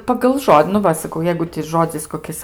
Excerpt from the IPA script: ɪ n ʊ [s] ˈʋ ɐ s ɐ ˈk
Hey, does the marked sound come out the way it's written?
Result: no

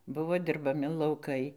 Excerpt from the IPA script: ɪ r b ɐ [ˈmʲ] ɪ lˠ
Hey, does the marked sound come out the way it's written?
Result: yes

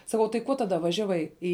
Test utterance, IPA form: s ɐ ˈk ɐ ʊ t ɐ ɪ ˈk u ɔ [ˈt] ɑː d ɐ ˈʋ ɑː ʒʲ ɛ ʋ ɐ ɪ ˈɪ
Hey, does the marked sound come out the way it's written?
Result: yes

